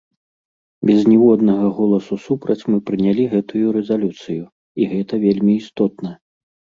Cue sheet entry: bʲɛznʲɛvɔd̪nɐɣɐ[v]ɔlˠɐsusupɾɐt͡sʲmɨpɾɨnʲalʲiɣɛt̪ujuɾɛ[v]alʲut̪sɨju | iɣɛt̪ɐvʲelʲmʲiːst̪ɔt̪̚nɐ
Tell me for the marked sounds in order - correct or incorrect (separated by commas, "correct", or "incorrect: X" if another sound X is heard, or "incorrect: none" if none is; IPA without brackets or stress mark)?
incorrect: ɣ, incorrect: z